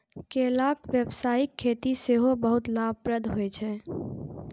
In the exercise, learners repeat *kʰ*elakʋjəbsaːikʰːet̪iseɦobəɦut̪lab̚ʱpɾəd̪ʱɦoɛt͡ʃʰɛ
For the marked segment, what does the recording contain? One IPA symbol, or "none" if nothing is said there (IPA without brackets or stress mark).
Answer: k